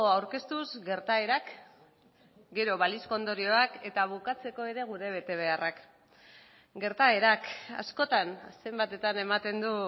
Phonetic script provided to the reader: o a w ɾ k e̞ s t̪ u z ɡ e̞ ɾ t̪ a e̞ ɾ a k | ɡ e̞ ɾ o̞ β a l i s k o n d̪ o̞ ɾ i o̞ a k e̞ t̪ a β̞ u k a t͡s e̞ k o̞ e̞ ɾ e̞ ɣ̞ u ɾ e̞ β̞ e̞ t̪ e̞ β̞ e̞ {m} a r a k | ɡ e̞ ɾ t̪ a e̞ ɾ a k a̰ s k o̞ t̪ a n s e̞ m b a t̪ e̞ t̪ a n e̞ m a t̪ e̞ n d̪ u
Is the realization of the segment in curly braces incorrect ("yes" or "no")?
yes